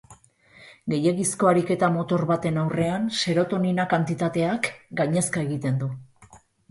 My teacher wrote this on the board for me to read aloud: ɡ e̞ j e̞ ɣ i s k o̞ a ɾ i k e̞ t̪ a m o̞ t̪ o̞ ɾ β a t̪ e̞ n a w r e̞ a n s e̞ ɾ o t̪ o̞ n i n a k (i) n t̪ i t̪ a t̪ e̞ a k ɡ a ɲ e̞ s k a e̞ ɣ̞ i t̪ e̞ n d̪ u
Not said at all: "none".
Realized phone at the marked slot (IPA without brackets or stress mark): a